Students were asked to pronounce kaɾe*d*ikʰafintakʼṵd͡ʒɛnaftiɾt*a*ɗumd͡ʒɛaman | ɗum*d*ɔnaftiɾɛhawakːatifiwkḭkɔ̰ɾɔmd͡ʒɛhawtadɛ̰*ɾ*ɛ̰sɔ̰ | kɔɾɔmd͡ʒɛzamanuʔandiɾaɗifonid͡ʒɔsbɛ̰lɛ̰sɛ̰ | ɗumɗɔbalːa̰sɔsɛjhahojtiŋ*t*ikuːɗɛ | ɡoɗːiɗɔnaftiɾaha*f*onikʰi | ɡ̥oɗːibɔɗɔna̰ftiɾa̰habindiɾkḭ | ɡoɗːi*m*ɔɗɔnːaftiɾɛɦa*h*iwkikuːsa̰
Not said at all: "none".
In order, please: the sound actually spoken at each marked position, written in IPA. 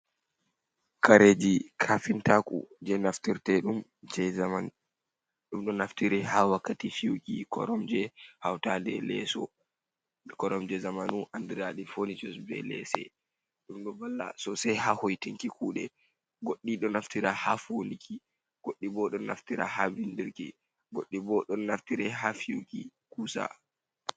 d͡ʒ, ɛ, ɗ, l, k, f, b, f

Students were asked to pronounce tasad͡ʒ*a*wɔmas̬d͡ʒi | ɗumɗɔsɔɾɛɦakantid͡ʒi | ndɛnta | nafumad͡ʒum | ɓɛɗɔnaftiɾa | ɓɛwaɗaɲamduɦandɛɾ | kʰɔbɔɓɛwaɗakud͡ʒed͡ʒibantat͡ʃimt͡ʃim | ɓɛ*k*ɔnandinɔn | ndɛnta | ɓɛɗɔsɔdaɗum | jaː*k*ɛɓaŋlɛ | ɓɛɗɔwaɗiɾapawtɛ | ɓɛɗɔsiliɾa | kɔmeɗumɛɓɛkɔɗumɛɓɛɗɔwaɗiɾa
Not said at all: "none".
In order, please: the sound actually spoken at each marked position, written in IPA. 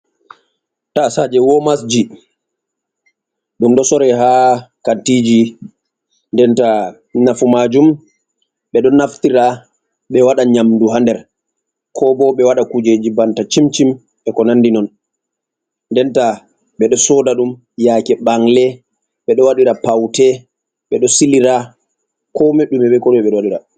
ɛ, k, k

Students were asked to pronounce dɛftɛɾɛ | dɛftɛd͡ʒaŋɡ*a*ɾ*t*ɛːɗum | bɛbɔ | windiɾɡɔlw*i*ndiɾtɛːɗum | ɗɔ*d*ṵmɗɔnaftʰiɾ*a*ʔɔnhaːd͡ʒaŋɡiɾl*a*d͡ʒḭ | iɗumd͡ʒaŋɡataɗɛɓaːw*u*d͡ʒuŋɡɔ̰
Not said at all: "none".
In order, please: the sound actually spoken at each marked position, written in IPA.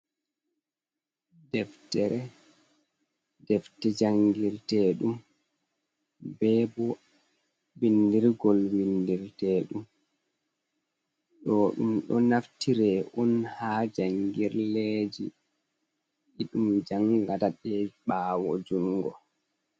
i, t, i, ɗ, ɛ, e, ɔ

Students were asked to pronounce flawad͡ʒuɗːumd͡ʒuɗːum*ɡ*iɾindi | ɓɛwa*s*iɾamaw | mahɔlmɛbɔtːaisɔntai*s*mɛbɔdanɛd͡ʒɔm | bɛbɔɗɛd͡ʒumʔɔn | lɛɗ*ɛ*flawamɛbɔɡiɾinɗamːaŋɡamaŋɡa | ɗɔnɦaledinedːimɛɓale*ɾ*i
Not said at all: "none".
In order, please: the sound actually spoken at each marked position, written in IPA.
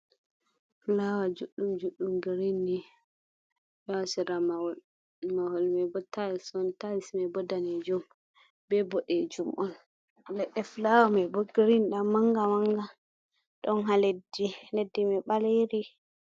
ɡ, s, s, ɛ, ɾ

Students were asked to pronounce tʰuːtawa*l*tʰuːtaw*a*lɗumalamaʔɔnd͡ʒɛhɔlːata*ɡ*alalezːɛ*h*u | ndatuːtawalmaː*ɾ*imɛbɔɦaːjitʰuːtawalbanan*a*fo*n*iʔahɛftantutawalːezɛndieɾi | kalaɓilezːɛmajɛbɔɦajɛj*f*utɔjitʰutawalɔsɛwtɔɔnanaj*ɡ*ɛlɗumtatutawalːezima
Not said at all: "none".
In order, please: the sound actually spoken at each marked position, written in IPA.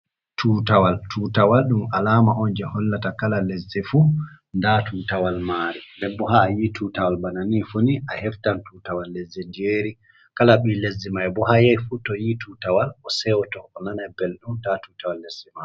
l, a, k, f, ɾ, i, n, f, b

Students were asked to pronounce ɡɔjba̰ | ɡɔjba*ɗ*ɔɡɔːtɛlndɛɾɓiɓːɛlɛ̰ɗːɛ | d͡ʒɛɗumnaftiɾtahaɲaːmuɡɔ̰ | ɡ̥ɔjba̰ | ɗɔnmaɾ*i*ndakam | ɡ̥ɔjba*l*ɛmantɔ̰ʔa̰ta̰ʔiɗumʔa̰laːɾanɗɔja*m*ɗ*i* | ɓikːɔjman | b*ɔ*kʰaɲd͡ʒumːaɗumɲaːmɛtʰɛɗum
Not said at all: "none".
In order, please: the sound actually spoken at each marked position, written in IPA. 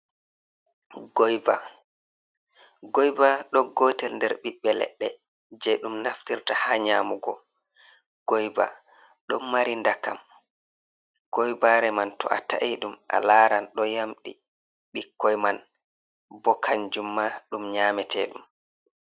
ɗ, i, ɾ, m, i, ɔ

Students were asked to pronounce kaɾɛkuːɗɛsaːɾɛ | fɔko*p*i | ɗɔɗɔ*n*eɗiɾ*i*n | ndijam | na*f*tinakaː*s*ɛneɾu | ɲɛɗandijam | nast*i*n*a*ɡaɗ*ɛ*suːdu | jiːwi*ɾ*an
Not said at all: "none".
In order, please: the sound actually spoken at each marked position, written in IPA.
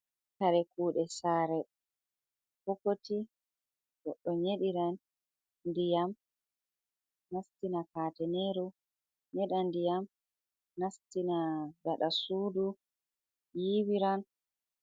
t, ɲ, a, s, t, i, a, a, ɾ

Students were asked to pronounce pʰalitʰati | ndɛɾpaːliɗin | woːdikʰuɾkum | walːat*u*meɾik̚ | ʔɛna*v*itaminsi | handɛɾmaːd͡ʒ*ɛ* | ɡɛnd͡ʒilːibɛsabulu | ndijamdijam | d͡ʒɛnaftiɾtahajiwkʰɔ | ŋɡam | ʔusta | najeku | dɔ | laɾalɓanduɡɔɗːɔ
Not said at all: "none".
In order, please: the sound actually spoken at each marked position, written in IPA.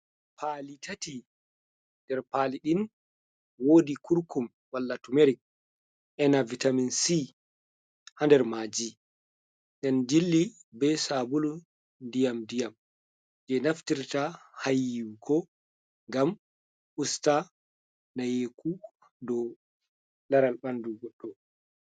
u, v, i

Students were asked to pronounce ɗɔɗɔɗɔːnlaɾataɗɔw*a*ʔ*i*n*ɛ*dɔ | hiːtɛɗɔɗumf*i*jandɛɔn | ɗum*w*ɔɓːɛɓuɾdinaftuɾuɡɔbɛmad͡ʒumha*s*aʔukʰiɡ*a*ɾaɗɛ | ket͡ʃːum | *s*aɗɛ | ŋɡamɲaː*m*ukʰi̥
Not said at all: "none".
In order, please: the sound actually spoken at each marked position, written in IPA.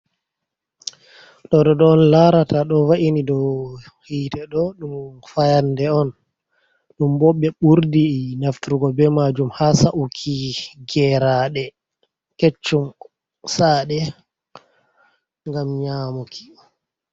a, i, i, a, b, s, ɛ, s, m

